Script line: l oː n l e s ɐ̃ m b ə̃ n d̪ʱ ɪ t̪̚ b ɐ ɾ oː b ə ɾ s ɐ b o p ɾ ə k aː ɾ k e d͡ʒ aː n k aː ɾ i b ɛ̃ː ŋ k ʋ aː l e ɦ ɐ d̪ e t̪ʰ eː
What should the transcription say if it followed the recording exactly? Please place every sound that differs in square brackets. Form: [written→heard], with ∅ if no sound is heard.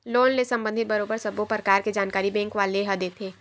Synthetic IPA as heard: l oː n l e s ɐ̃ m b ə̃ n d̪ʱ ɪ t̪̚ b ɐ ɾ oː b ə ɾ s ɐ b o p ɾ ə k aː ɾ k e d͡ʒ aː n k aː ɾ i b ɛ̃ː ŋ k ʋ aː l e ɦ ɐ d̪ e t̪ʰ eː